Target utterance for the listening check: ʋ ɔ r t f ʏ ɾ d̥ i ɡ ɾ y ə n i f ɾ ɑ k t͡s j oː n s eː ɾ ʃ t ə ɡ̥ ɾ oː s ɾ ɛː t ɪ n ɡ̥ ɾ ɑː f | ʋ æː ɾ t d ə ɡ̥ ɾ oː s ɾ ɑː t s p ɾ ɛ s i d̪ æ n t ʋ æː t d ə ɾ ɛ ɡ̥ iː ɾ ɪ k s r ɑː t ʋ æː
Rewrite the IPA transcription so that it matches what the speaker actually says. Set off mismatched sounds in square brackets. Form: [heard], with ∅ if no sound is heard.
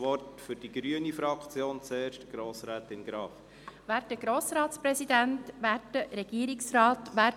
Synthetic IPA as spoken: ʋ ɔ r t f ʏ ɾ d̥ i ɡ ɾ y ə n i f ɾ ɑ k t͡s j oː n [t͡s] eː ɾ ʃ t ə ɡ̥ ɾ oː s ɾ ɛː t ɪ n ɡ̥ ɾ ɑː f | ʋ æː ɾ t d ə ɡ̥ ɾ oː s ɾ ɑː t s p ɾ ɛ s i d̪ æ n t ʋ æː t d ə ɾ ɛ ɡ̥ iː ɾ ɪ k s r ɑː t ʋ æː